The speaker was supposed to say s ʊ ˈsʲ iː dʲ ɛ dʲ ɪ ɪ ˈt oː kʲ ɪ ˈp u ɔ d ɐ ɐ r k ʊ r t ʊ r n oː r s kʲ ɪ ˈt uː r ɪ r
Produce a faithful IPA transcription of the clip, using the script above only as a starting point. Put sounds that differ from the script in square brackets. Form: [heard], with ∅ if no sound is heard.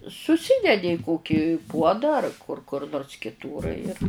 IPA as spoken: s ʊ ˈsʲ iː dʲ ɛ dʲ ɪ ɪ [ˈk] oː kʲ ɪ ˈp u ɔ d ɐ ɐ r k ʊ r [k] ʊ r n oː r s kʲ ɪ ˈt uː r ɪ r